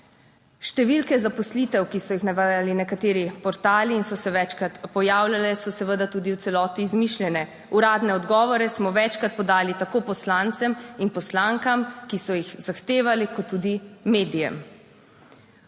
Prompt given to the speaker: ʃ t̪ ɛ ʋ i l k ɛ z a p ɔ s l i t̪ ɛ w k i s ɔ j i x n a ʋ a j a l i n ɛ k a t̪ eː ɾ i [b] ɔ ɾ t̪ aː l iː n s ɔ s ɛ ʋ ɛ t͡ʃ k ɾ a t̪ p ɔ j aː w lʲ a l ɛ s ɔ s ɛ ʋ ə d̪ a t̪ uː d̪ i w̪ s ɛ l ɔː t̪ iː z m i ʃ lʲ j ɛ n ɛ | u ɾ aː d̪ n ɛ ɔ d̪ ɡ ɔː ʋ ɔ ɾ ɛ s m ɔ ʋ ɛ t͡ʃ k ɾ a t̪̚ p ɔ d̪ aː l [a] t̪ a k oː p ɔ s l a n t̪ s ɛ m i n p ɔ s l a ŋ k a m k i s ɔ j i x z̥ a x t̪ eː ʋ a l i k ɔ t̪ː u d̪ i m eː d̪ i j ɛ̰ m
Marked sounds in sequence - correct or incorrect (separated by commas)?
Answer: incorrect, incorrect